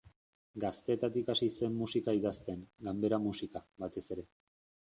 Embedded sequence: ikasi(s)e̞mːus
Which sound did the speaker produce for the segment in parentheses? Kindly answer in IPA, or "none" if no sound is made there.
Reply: s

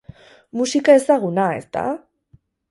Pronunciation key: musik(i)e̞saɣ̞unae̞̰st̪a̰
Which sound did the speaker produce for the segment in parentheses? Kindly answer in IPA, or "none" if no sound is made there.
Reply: a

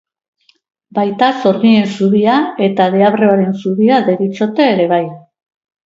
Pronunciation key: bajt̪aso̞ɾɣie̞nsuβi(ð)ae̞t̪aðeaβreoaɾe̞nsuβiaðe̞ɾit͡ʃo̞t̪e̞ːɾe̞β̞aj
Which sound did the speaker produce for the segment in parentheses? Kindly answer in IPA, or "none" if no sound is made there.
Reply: none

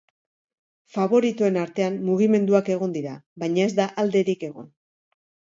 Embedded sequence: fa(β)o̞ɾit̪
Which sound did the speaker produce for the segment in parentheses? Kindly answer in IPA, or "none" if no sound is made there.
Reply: β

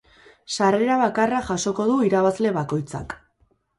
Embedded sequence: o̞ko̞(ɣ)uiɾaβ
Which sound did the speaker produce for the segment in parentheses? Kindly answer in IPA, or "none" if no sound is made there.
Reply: ð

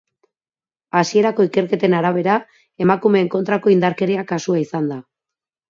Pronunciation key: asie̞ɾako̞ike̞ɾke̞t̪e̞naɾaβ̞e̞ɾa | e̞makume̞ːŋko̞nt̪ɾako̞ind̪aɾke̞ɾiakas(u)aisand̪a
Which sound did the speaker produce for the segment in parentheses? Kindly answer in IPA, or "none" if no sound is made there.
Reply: u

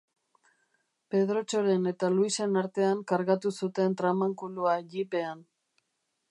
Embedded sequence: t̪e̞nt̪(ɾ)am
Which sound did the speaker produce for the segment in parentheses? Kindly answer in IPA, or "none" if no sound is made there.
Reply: ɾ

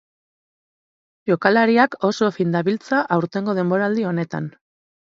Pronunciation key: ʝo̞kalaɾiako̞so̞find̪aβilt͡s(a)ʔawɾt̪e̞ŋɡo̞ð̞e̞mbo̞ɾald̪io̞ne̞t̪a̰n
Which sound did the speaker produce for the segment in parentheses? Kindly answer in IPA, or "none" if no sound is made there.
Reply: a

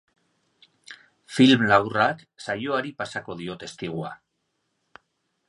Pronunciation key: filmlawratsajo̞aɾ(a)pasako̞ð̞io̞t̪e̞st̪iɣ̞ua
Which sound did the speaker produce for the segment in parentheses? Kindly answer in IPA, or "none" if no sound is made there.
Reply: i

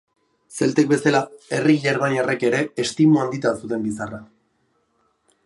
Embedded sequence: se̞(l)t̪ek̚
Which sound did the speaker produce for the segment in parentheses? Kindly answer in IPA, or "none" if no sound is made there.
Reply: l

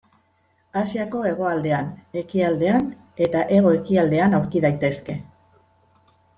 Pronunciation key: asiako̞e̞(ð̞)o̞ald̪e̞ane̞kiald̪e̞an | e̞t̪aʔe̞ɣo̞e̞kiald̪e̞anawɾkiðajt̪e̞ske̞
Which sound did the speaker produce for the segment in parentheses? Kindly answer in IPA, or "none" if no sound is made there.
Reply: ɣ̞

